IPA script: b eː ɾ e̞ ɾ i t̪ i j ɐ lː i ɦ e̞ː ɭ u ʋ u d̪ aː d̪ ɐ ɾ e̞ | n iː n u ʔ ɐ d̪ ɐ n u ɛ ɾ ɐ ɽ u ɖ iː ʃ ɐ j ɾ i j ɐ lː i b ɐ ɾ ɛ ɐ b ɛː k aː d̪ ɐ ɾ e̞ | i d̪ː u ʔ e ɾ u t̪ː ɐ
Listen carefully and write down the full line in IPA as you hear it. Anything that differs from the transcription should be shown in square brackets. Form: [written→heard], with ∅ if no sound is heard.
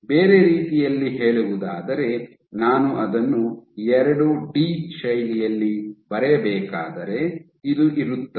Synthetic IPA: b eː ɾ e̞ ɾ [i→iː] t̪ i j ɐ lː i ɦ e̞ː ɭ u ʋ u d̪ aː d̪ ɐ ɾ e̞ | n [iː→aː] n u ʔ ɐ d̪ ɐ [n→nː] u ɛ ɾ ɐ ɽ u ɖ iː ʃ ɐ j [ɾ→l] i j ɐ lː i b ɐ ɾ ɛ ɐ b ɛː k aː d̪ ɐ ɾ e̞ | i [d̪ː→d̪] u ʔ [e→i] ɾ u t̪ː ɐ

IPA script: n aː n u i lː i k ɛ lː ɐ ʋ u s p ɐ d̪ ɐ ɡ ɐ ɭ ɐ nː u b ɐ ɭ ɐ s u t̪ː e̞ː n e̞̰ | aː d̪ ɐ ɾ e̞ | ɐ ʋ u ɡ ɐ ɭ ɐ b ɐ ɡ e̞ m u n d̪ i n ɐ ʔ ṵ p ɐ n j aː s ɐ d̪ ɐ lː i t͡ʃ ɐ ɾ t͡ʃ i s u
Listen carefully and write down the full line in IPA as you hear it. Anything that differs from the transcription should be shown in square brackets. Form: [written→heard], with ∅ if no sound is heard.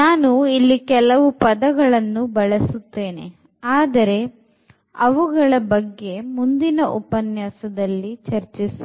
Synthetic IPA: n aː n u i lː i k ɛ [lː→l] ɐ ʋ u [s→∅] p ɐ d̪ ɐ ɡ ɐ ɭ ɐ nː u b ɐ ɭ ɐ s u t̪ː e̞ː n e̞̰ | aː d̪ ɐ ɾ e̞ | ɐ ʋ u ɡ ɐ ɭ ɐ b ɐ [ɡ→ɡː] e̞ m u n d̪ i n ɐ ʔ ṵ p ɐ n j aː s ɐ d̪ ɐ lː i t͡ʃ ɐ ɾ t͡ʃ i s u

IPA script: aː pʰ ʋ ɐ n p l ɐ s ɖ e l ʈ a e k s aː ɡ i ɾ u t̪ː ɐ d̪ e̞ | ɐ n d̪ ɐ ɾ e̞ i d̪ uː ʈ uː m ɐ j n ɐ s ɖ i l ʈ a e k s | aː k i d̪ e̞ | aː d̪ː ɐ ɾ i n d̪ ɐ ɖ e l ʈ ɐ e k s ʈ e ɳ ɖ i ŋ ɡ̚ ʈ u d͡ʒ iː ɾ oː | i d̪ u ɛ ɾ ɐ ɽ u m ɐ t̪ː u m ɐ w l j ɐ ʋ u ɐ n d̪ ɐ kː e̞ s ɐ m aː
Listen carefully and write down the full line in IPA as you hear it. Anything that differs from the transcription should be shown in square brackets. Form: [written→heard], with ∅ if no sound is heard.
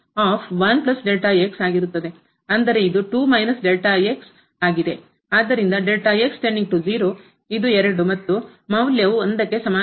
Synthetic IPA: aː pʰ ʋ ɐ n p l ɐ s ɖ e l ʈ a e k s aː ɡ i ɾ u t̪ː ɐ d̪ e̞ | ɐ n d̪ ɐ ɾ e̞ i d̪ [uː→u] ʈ uː m ɐ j n ɐ s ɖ [i→e] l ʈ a e k s | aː [k→ɡ] i d̪ e̞ | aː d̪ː ɐ ɾ i n d̪ ɐ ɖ e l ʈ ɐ e k s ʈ e ɳ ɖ i ŋ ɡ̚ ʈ u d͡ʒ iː ɾ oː | i d̪ u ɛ ɾ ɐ ɽ u m ɐ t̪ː u m ɐ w l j ɐ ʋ u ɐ n d̪ ɐ kː e̞ s ɐ m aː

